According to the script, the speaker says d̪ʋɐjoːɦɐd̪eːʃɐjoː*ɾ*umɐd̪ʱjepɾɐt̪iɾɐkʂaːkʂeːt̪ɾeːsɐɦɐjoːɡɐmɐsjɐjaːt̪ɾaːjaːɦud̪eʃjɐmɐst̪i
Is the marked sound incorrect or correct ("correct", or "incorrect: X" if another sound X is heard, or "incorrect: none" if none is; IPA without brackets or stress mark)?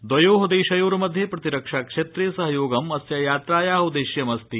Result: correct